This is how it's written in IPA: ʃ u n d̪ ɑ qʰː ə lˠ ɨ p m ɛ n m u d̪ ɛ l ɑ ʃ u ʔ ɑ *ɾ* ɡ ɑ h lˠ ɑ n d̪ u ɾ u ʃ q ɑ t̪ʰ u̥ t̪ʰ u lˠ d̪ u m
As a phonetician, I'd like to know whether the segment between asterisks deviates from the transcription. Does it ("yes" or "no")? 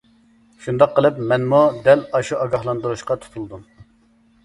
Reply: yes